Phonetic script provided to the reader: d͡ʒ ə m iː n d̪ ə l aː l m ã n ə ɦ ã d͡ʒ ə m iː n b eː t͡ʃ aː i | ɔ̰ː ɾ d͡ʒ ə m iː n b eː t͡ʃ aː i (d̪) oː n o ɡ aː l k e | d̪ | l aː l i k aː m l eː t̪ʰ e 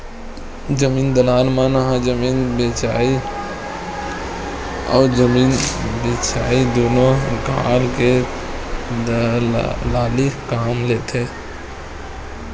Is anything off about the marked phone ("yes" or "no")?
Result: no